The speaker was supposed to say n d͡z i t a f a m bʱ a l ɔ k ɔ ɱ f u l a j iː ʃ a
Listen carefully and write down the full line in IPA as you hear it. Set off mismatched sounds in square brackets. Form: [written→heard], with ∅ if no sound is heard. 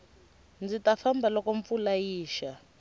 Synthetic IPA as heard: n d͡z i t a f a m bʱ a l ɔ k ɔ ɱ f u l a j iː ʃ a